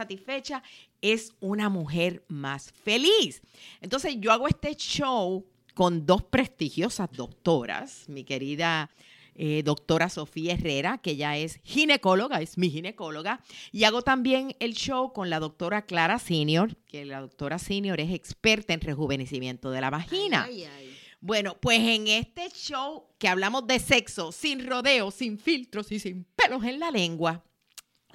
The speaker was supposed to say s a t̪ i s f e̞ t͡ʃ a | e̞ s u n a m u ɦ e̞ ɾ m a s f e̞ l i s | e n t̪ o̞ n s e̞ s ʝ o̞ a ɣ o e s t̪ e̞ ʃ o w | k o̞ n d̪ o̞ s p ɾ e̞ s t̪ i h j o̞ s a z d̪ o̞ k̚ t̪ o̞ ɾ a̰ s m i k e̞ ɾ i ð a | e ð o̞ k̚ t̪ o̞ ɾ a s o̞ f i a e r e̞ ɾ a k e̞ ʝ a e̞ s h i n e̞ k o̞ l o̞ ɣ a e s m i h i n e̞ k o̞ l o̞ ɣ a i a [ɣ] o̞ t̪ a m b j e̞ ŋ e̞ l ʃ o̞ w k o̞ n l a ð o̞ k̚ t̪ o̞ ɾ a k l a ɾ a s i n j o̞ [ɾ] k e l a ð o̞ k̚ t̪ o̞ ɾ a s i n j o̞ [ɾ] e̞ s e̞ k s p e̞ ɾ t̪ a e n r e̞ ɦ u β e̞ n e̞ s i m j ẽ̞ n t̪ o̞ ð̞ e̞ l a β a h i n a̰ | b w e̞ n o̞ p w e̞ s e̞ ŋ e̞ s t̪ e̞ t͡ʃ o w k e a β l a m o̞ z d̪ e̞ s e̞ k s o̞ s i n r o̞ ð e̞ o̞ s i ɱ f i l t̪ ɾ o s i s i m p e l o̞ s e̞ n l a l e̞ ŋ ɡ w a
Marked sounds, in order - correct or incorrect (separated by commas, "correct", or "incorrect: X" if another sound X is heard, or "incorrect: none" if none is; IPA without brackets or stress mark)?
correct, correct, correct